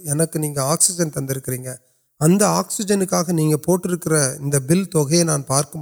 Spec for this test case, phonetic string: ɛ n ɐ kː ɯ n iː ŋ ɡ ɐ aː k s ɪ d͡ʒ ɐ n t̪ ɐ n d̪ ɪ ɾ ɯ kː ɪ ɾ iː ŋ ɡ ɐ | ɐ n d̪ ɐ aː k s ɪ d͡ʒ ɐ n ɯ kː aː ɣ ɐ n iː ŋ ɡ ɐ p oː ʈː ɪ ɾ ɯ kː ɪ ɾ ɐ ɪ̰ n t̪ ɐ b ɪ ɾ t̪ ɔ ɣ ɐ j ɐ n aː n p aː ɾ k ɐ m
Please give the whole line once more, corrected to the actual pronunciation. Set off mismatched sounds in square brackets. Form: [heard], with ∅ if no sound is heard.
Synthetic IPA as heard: ɛ n ɐ kː ɯ n iː ŋ ɡ ɐ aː k s ɪ d͡ʒ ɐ n t̪ ɐ n d̪ ɪ ɾ ɯ kː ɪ ɾ iː ŋ ɡ ɐ | ɐ n d̪ ɐ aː k s ɪ d͡ʒ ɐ n ɯ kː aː ɣ ɐ n iː ŋ ɡ ɐ p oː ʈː ɪ ɾ ɯ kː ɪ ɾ ɐ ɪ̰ n [d̪] ɐ b ɪ [l] t̪ ɔ ɣ ɐ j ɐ n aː n p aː ɾ k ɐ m